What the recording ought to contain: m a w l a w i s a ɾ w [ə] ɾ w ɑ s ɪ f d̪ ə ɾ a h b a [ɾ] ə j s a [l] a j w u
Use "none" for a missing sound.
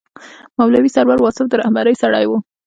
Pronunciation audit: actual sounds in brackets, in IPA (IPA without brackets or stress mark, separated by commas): a, ɾ, ɽ